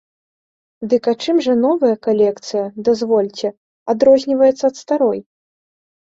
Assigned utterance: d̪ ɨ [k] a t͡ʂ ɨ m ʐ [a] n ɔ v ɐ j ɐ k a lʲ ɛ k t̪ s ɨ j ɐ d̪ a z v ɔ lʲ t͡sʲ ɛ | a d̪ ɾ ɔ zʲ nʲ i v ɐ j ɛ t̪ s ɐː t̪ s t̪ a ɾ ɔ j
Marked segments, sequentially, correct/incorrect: correct, incorrect

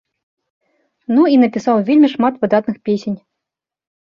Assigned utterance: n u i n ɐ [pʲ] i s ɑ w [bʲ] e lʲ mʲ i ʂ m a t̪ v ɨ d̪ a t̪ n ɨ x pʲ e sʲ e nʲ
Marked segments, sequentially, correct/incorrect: correct, incorrect

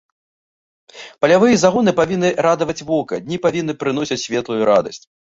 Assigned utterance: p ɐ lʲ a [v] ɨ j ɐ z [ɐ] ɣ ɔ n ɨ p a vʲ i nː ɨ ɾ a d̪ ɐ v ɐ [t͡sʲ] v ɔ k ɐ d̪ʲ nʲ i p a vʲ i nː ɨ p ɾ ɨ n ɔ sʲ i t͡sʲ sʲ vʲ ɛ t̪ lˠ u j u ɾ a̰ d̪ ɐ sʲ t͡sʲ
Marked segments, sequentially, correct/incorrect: correct, incorrect, correct

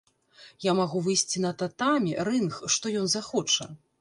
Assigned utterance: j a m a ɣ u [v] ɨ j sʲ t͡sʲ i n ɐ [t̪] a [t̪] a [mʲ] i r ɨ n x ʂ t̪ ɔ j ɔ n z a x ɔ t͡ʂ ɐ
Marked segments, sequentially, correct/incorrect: correct, correct, correct, correct

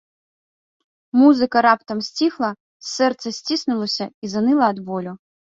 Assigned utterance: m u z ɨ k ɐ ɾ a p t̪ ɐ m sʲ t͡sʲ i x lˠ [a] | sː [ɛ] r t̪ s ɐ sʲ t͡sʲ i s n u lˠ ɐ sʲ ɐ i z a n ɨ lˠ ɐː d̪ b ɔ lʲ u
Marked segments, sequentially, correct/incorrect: incorrect, correct

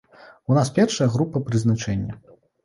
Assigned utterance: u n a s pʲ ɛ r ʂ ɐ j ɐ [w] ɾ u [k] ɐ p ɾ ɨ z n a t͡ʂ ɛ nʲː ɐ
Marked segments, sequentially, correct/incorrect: incorrect, incorrect

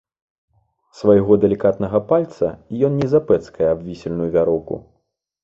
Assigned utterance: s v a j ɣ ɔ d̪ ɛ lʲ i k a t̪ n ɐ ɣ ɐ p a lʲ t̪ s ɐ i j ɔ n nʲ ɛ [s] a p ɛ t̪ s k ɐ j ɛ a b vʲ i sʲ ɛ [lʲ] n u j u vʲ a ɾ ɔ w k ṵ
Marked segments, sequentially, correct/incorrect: incorrect, correct

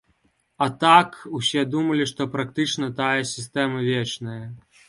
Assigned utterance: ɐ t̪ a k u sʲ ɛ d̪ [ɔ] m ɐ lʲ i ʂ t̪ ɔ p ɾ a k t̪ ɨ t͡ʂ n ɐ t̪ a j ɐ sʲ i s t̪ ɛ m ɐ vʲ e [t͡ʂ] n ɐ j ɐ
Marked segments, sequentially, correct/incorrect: incorrect, correct

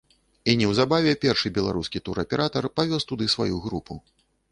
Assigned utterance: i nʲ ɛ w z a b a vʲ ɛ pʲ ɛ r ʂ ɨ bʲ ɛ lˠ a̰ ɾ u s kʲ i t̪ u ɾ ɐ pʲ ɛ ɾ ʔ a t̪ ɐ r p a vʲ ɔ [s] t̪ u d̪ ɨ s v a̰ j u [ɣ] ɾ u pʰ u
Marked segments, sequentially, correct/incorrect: correct, correct

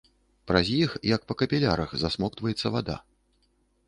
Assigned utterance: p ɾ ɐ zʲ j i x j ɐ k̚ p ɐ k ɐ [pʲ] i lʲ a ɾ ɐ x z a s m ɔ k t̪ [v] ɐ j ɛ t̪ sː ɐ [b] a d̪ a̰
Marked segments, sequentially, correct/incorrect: correct, correct, incorrect

